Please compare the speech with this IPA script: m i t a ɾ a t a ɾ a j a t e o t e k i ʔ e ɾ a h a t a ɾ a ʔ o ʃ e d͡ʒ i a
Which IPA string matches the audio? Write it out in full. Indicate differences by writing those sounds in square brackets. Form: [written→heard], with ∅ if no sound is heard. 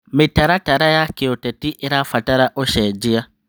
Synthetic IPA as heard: m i t a ɾ a t a ɾ a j a [t→k] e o t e [k→t] i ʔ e ɾ a [h→f] a t a ɾ a ʔ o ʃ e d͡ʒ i a